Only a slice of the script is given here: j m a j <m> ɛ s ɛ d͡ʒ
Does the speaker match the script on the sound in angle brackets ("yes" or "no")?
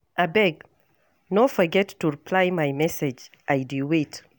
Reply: yes